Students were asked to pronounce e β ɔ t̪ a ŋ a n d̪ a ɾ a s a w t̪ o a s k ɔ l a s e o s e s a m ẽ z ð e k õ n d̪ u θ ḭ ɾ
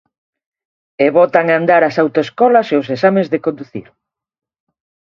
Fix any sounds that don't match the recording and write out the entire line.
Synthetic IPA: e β ɔ t̪ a ŋ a n d̪ a ɾ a s a w t̪ o e s k ɔ l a s e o s e s a m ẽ z ð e k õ n d̪ u θ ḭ ɾ